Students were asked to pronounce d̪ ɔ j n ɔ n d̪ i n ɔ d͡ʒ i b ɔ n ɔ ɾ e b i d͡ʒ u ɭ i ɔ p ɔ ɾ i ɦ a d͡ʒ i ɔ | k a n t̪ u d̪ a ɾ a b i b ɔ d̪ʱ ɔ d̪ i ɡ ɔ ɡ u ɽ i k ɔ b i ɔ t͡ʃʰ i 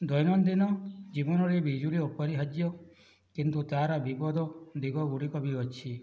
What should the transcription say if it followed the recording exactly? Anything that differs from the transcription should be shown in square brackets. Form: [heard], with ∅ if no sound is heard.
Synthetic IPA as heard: d̪ ɔ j n ɔ n d̪ i n ɔ d͡ʒ i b ɔ n ɔ ɾ e b i d͡ʒ u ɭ i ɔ p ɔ ɾ i ɦ a d͡ʒ [j] ɔ | k [i] n t̪ u [t̪] a ɾ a b i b ɔ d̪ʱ ɔ d̪ i ɡ ɔ ɡ u ɽ i k ɔ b i ɔ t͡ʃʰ i